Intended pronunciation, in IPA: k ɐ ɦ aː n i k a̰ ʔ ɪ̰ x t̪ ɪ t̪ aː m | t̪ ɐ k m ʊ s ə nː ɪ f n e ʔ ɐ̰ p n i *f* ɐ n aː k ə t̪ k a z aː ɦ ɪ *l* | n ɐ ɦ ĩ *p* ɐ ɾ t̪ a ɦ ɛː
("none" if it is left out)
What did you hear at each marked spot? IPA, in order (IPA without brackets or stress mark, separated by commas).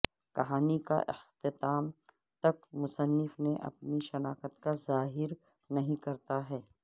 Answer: ʃ, ɾ, k